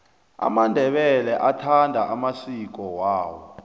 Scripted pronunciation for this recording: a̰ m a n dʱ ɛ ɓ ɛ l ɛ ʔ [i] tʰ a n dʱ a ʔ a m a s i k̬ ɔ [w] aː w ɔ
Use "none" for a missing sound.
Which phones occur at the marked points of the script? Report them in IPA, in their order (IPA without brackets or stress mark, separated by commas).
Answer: a, w